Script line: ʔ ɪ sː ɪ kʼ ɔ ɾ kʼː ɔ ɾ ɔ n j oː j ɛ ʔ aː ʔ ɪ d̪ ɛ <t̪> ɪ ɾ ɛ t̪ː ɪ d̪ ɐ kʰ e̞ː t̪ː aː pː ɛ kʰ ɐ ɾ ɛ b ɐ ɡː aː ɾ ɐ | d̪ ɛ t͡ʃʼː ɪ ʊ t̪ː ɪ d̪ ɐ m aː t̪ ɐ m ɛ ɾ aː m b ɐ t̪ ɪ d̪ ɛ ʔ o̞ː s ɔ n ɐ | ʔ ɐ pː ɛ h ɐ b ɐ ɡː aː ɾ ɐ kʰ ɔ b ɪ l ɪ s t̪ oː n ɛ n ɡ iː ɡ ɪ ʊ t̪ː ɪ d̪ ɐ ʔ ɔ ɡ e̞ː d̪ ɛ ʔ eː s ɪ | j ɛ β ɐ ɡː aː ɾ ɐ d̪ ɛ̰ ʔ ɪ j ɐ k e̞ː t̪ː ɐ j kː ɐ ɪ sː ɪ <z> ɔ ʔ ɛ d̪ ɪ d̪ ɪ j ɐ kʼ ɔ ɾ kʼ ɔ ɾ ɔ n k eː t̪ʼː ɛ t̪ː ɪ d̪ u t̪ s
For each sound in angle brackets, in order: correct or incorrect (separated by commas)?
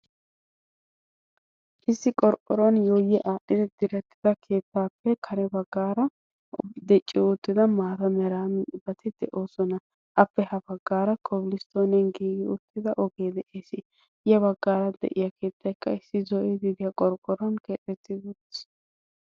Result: incorrect, correct